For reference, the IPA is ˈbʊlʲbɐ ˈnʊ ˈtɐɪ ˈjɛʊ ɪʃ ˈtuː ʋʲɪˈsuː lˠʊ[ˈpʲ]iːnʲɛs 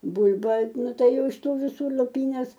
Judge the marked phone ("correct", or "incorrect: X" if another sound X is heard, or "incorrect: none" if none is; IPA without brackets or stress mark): correct